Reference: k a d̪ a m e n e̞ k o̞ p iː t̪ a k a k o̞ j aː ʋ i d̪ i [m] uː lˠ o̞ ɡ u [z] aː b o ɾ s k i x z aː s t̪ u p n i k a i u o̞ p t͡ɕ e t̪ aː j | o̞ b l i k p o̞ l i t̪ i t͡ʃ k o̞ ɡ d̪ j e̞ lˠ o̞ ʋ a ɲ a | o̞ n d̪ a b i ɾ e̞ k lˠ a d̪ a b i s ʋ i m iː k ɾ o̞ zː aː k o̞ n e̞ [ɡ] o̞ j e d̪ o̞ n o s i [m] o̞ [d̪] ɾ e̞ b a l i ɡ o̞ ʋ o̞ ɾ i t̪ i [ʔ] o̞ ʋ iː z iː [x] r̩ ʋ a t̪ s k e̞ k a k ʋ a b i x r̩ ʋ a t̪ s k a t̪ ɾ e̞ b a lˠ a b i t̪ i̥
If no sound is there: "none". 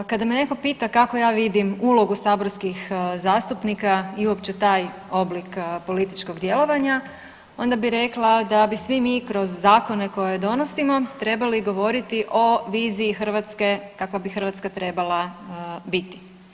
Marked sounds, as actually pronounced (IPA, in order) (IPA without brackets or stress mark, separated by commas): m, s, k, m, t̪, ʔ, x